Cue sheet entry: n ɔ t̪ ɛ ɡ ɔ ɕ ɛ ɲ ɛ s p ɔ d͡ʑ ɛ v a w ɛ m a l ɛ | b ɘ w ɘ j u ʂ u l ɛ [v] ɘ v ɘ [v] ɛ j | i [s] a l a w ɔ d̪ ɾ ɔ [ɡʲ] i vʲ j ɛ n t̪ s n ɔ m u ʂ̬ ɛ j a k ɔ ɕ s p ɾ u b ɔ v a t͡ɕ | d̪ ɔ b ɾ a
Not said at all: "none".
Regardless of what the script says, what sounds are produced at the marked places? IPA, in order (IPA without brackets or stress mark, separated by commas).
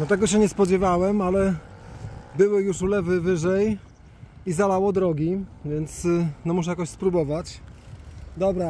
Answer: v, ʐ, z, ɡʲ